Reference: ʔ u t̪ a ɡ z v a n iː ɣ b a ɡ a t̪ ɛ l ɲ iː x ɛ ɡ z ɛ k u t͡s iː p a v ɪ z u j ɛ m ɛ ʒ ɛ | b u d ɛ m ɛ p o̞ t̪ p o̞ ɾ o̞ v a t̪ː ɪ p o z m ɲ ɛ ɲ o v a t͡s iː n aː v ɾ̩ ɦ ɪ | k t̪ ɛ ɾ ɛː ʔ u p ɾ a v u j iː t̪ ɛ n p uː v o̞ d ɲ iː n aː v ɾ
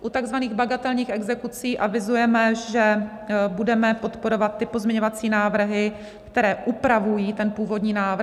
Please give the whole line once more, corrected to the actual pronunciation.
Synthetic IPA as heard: ʔ u t̪ a ɡ z v a n iː ɣ b a ɡ a t̪ ɛ l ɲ iː x ɛ ɡ z ɛ k u t͡s iː ʔ a v ɪ z u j ɛ m ɛ ʒ ɛ | b u d ɛ m ɛ p o̞ t̪ p o̞ ɾ o̞ v a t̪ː ɪ p o z m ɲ ɛ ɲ o v a t͡s iː n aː v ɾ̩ ɦ ɪ | k t̪ ɛ ɾ ɛː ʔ u p ɾ a v u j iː t̪ ɛ n p uː v o̞ d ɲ iː n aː v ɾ